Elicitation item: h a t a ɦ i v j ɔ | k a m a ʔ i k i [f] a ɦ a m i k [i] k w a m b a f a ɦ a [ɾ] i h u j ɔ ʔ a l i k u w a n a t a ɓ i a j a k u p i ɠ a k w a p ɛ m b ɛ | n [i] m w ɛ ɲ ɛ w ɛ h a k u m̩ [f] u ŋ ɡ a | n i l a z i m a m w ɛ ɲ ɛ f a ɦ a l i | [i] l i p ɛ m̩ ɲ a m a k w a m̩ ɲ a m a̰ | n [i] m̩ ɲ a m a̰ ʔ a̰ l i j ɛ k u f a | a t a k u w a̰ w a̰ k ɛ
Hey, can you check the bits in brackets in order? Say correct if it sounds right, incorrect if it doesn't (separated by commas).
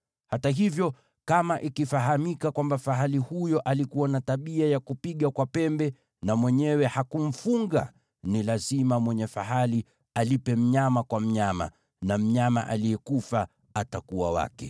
correct, incorrect, incorrect, incorrect, correct, incorrect, incorrect